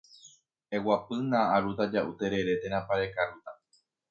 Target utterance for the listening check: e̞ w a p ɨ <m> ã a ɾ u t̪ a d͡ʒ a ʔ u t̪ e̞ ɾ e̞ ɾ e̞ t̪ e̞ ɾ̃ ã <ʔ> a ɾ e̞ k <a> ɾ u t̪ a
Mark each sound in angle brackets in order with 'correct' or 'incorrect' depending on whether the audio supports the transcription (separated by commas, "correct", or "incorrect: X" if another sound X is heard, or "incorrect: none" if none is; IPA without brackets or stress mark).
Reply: incorrect: n, incorrect: p, correct